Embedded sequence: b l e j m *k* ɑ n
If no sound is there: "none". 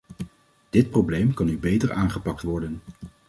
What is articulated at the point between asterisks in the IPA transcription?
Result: k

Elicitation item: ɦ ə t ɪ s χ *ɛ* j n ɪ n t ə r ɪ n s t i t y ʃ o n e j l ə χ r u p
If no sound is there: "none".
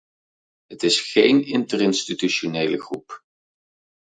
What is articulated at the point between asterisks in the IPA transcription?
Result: e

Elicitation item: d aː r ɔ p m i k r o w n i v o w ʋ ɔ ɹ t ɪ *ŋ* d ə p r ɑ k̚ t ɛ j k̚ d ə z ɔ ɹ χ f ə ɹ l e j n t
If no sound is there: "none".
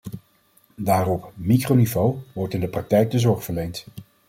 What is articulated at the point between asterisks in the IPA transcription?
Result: n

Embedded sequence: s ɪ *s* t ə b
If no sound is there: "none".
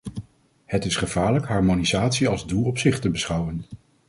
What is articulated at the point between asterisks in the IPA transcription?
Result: χ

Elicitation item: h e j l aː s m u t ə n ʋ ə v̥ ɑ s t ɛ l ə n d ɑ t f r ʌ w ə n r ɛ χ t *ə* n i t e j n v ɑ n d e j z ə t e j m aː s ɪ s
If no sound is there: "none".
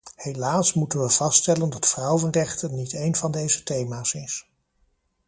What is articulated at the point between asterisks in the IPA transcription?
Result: ə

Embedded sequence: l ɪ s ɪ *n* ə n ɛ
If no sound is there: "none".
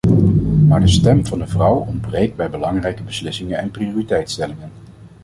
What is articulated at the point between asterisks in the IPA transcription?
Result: ŋ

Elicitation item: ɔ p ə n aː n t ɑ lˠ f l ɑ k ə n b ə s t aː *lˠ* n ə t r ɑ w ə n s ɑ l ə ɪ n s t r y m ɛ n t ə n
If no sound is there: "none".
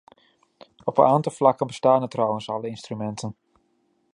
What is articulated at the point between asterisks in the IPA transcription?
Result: none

